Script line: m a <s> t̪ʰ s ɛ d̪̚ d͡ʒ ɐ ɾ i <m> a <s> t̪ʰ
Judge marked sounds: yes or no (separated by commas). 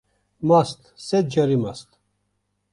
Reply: yes, yes, yes